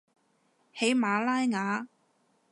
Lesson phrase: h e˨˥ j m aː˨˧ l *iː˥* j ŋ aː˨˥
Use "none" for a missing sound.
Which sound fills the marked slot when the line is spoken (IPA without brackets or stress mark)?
aː˥